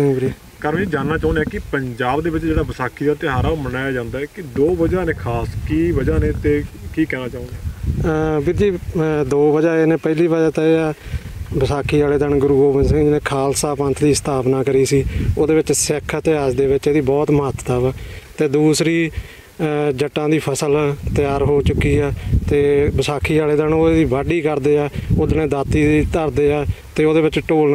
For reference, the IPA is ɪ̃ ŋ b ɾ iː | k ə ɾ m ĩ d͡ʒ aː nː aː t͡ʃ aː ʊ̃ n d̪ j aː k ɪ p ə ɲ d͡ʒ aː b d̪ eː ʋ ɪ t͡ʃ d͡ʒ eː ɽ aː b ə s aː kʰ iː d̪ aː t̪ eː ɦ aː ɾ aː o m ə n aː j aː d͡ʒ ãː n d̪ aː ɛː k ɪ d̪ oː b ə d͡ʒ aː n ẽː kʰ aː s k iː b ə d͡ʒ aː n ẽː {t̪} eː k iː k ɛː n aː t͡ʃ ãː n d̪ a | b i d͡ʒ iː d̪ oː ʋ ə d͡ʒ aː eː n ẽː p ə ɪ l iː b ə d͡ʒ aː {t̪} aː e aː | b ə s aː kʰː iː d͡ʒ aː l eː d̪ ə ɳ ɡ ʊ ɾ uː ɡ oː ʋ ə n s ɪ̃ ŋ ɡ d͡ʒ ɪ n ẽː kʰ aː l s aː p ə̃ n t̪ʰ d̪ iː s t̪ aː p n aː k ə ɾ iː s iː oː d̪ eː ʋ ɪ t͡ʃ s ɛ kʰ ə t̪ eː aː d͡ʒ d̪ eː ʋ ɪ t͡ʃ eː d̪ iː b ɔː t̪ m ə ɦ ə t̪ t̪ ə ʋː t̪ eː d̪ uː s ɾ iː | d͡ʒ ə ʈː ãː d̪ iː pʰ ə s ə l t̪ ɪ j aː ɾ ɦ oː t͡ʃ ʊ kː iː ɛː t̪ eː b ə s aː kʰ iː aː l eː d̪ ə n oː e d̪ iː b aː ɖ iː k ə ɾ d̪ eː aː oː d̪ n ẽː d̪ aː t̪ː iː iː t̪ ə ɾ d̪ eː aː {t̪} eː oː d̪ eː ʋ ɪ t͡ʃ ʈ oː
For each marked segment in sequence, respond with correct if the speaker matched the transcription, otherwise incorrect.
correct, correct, correct

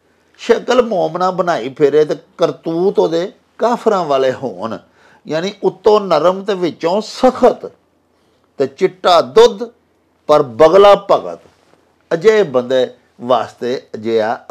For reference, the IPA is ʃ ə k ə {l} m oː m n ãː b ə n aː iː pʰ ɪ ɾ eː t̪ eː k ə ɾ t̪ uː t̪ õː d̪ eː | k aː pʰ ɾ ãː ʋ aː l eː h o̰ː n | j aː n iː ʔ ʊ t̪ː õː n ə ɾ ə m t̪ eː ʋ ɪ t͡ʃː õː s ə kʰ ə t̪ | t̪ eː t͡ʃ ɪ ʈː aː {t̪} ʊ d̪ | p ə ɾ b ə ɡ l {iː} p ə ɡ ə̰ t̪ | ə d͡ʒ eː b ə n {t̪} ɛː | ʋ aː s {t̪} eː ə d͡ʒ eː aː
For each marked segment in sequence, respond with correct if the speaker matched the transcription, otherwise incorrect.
correct, incorrect: d̪, incorrect: aː, incorrect: d̪, correct

